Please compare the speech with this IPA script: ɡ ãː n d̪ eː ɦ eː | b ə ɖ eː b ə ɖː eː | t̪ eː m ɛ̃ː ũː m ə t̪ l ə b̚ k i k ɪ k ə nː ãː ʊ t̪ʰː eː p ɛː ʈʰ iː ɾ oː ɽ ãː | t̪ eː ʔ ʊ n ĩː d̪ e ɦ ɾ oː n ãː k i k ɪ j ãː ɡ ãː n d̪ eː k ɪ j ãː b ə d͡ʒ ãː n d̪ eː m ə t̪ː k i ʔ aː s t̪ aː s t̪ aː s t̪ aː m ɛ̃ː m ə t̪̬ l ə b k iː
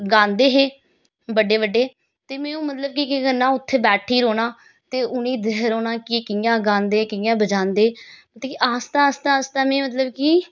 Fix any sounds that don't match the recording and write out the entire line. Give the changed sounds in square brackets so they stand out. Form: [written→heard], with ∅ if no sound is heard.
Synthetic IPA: ɡ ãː n d̪ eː ɦ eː | b ə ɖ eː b ə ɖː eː | t̪ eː m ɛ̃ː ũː m ə t̪ l ə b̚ k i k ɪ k ə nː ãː ʊ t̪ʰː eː [p→b] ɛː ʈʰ iː ɾ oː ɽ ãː | t̪ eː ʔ ʊ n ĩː d̪ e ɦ ɾ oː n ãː k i k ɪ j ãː ɡ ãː n d̪ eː k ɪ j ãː b ə d͡ʒ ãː n d̪ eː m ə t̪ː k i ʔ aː s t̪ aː s t̪ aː s t̪ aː m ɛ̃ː m ə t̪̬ l ə b k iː